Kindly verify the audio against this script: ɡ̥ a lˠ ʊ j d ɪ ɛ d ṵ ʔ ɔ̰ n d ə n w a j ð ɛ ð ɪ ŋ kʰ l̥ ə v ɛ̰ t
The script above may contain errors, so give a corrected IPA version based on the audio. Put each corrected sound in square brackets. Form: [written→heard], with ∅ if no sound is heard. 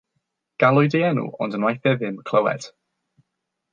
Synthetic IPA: ɡ̥ a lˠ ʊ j d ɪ ɛ [d→n] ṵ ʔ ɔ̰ n d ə n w a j [ð→θ] ɛ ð ɪ [ŋ→m] kʰ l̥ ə [v→w] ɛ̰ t